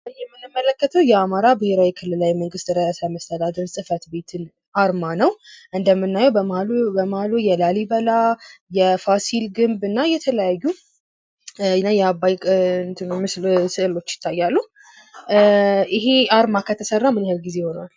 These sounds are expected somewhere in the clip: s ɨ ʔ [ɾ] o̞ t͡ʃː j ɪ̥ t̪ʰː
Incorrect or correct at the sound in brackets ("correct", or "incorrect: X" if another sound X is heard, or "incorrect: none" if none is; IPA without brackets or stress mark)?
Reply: incorrect: l